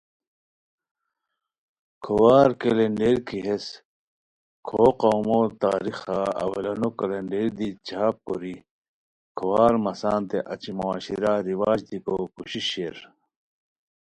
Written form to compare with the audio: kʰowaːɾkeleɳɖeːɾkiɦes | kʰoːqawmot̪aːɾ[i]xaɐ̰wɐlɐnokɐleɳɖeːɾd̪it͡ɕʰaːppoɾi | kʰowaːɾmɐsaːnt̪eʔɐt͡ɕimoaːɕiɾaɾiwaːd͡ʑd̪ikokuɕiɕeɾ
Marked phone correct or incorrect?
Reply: correct